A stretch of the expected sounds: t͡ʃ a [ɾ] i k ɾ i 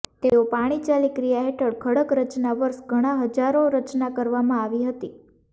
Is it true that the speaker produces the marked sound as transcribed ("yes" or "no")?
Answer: no